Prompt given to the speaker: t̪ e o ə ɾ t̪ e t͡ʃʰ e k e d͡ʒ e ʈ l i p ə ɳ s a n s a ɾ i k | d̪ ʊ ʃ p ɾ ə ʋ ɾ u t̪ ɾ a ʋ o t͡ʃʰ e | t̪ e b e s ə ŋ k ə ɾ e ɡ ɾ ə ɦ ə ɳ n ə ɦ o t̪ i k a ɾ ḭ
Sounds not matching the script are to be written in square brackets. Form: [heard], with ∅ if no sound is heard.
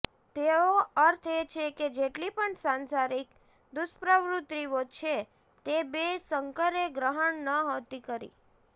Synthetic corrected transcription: t̪ e o ə ɾ [t̪ʰ] e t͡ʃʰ e k e d͡ʒ e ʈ l i p ə ɳ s a n s a ɾ i k | d̪ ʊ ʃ p ɾ ə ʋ ɾ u t̪ ɾ [i] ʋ o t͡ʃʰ e | t̪ e b e s ə ŋ k ə ɾ e ɡ ɾ ə ɦ ə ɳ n ə ɦ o t̪ i k [ə] ɾ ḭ